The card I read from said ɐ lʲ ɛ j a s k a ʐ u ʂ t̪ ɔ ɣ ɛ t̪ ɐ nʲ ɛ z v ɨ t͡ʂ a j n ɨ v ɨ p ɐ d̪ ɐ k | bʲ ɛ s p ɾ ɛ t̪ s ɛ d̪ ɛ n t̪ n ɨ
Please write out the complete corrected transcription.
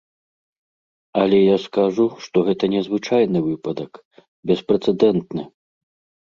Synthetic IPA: ɐ lʲ ɛ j a s k a ʐ u ʂ t̪ ɔ ɣ ɛ t̪ ɐ nʲ ɛ z v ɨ t͡ʂ a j n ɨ v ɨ p ɐ d̪ ɐ k | bʲ ɛ s p ɾ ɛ t̪ s ɛ d̪ ɛ n t̪ n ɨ